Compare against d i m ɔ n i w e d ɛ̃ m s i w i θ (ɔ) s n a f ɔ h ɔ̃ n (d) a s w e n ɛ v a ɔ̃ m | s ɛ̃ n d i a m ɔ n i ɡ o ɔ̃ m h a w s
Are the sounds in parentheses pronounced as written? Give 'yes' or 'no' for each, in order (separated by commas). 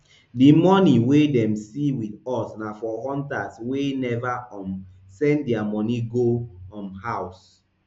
yes, no